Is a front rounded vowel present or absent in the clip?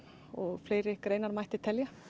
absent